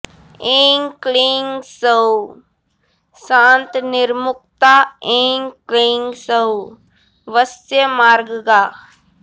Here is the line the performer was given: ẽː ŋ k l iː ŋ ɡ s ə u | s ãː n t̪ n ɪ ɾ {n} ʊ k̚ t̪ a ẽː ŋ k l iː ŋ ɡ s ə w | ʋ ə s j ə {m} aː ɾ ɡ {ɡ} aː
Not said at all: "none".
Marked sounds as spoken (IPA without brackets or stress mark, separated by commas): m, m, ɡ